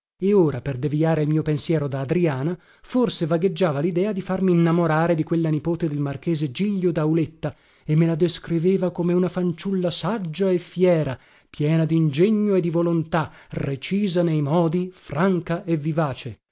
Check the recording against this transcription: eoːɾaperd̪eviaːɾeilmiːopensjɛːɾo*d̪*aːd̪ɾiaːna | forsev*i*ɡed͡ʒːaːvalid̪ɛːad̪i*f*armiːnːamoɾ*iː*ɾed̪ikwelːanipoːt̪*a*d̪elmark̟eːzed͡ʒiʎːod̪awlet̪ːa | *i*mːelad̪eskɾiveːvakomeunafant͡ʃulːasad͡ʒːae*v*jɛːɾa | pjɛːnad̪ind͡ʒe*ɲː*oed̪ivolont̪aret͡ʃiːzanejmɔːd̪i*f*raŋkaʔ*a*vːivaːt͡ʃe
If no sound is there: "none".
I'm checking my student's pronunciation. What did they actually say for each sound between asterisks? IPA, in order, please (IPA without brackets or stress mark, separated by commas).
d̪, a, f, aː, e, e, f, ɲː, f, e